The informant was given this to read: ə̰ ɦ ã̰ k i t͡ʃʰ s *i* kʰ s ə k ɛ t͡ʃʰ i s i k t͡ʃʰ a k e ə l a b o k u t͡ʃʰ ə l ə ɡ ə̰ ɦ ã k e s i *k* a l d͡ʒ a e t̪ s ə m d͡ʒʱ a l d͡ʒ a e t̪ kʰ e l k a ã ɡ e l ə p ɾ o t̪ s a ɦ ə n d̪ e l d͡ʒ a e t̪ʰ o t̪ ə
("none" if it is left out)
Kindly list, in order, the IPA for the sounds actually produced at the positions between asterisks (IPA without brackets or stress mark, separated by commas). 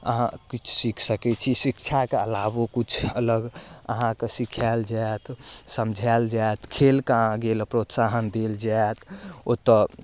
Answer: i, kʰ